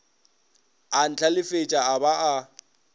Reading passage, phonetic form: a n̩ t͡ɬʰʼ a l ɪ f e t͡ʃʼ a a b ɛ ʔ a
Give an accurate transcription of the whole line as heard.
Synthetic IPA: a n̩ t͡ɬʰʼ a l ɪ f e t͡ʃʼ a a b a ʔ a